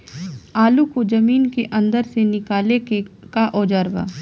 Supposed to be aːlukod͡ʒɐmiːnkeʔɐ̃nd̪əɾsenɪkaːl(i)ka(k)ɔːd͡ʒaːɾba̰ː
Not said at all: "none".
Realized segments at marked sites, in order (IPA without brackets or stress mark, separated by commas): e, ʔ